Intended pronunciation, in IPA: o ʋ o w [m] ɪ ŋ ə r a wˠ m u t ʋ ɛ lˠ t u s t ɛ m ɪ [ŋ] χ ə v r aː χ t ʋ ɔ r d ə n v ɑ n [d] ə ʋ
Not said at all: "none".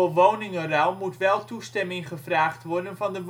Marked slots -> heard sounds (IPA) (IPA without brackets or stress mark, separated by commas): n, ŋ, d